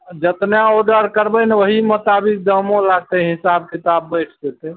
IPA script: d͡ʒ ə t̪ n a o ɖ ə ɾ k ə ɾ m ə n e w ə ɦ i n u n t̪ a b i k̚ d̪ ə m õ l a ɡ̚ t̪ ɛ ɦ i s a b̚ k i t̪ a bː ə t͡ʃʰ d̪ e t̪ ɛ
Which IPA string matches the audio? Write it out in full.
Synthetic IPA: d͡ʒ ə t̪ n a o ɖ ə ɾ k ə ɾ b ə n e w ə ɦ i m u t̪ a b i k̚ d̪ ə m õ l a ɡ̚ t̪ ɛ ɦ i s a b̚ k i t̪ a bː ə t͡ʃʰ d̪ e t̪ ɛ